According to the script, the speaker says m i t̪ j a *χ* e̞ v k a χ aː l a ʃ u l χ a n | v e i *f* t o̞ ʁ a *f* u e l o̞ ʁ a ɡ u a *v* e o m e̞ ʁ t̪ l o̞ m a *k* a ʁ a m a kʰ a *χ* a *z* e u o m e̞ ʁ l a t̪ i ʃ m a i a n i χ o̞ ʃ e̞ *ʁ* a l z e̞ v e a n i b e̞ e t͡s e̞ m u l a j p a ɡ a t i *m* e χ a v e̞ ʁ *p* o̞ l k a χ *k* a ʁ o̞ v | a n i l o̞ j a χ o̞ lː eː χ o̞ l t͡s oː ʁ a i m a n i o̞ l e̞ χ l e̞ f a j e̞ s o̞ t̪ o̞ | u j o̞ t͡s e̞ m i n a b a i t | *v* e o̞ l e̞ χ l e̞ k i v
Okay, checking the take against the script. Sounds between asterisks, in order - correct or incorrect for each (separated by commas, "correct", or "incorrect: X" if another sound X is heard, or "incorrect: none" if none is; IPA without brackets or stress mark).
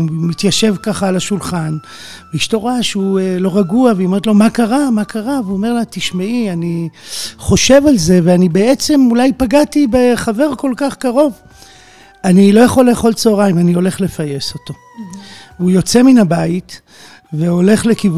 incorrect: ʃ, incorrect: ʃ, incorrect: ʃ, correct, correct, incorrect: ʁ, incorrect: v, incorrect: v, incorrect: b, incorrect: k, correct, correct